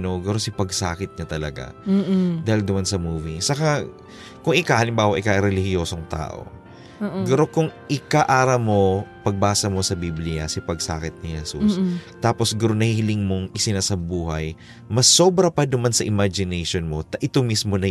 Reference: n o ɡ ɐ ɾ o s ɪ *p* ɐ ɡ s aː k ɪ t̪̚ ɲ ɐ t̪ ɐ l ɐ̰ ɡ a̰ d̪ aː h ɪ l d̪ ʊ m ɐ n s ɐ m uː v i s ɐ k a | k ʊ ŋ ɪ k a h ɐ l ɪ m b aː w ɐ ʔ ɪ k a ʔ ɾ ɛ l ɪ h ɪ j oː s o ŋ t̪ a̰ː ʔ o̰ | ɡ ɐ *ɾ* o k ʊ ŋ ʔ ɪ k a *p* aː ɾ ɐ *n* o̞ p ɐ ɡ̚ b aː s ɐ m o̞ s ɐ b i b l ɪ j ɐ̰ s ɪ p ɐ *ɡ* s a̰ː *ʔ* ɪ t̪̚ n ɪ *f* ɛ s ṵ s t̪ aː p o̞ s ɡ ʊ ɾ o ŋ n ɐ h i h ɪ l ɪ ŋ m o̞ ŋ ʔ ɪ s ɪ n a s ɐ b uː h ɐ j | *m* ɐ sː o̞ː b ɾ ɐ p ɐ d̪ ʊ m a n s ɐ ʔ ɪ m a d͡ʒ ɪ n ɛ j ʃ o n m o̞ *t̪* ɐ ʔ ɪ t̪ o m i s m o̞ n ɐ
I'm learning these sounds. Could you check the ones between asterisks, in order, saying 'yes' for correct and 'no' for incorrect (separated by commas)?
yes, yes, no, no, yes, no, no, yes, yes